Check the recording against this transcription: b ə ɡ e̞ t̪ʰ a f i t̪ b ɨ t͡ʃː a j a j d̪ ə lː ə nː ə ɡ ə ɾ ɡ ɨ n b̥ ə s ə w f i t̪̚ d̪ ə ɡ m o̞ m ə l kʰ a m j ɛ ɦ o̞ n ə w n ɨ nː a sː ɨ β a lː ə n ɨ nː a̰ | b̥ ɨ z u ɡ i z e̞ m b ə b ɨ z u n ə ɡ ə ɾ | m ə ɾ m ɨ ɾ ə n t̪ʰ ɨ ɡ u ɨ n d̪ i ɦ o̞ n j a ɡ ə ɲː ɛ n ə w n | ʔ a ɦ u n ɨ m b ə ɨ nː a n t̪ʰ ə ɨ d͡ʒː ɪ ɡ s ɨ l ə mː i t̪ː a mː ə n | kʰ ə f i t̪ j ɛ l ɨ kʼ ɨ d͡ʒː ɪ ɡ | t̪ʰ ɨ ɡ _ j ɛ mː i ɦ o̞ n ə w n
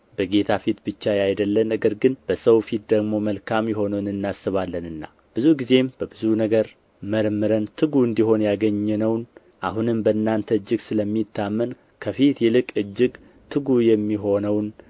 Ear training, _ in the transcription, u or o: u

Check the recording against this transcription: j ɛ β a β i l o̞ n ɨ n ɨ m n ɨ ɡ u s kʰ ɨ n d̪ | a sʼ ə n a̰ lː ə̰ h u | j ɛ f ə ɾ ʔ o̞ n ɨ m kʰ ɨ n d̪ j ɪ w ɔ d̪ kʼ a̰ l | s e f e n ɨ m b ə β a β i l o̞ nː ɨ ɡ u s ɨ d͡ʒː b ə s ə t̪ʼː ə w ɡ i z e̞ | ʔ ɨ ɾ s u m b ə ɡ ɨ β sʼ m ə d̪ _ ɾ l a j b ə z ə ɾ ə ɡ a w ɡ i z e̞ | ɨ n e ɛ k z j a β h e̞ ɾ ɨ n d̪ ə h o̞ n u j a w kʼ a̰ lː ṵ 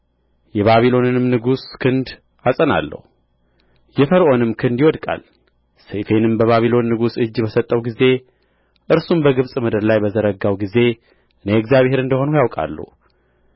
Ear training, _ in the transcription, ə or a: ə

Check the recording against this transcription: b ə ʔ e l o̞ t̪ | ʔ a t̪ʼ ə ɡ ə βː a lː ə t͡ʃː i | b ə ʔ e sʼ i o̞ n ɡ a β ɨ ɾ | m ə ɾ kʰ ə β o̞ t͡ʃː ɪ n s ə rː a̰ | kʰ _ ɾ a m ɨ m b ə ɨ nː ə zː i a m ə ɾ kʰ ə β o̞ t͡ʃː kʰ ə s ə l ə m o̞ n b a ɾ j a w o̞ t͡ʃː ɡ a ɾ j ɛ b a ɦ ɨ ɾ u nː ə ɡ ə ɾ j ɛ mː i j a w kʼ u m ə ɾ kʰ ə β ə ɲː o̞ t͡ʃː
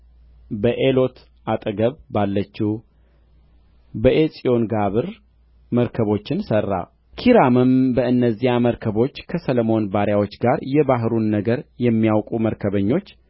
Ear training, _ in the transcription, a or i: i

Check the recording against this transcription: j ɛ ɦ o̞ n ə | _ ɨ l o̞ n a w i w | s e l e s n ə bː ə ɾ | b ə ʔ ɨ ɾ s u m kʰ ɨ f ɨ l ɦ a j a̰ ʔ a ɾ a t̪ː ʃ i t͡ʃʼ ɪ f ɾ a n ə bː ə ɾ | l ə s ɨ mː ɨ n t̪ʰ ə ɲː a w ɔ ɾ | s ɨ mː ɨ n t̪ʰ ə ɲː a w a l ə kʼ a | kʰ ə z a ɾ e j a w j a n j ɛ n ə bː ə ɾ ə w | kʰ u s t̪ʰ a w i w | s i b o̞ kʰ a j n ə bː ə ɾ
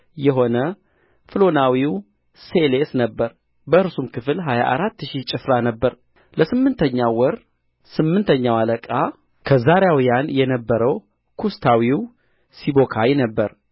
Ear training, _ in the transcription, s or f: f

